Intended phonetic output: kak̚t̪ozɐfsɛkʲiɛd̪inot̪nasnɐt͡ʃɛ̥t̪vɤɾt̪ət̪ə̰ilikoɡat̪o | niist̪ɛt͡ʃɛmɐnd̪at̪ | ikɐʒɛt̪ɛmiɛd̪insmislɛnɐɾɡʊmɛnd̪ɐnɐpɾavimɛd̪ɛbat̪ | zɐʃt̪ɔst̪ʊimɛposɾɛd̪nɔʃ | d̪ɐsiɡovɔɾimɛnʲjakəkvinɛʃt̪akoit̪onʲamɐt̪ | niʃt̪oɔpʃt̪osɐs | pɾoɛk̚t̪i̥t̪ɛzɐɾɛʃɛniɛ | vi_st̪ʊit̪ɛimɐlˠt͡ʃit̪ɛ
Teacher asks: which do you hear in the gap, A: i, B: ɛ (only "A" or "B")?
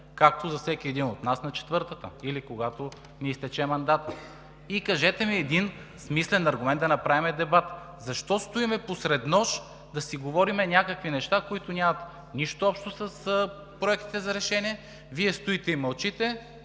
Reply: B